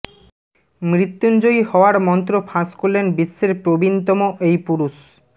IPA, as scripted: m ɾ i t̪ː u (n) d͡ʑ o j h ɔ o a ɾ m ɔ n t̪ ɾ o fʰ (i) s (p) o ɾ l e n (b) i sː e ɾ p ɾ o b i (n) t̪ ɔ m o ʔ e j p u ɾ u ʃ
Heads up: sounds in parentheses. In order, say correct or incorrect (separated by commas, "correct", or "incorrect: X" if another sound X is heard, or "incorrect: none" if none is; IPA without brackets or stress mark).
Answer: correct, incorrect: a, incorrect: k, correct, correct